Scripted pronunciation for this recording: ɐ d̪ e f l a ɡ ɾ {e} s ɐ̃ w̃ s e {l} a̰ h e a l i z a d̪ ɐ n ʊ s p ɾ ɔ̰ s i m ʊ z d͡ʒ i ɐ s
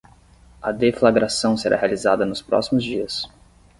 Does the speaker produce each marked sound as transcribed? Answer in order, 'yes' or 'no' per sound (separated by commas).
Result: no, no